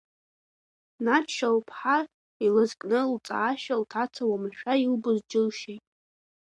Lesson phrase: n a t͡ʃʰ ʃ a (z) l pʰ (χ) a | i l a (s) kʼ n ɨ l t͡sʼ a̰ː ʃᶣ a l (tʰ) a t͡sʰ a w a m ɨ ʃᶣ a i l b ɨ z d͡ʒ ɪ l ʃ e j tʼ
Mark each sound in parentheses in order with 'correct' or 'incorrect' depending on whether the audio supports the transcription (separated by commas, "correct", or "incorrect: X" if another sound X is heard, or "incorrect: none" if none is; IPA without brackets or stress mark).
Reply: incorrect: none, incorrect: ħ, incorrect: z, correct